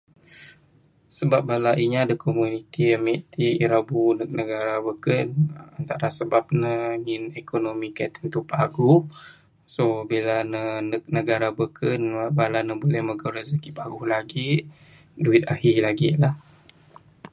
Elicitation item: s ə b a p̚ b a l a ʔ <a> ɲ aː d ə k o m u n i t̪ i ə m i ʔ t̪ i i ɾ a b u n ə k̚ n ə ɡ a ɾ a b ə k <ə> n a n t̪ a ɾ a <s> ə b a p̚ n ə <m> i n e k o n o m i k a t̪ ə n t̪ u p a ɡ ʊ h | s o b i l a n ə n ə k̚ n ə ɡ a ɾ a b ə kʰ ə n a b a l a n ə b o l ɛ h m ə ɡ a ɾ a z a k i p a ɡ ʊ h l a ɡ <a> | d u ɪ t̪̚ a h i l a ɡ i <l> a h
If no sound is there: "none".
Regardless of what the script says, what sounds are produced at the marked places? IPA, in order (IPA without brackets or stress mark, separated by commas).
i, ə, s, ŋ, i, l